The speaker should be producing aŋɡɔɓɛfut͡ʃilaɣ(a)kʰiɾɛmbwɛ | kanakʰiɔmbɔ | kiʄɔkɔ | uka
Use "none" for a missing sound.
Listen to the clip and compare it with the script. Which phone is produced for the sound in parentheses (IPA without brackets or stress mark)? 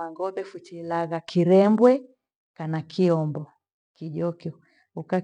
a